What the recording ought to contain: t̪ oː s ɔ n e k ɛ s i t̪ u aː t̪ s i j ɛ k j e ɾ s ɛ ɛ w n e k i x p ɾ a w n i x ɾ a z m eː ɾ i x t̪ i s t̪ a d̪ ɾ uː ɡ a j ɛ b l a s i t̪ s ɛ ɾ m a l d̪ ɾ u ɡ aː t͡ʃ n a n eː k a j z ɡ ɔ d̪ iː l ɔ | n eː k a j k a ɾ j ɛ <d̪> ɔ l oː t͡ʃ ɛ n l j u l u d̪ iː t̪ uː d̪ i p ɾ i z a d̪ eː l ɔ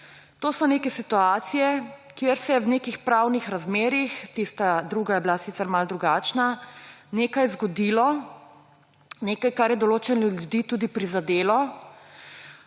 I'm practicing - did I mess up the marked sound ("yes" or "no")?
no